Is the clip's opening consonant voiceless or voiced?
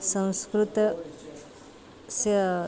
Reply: voiceless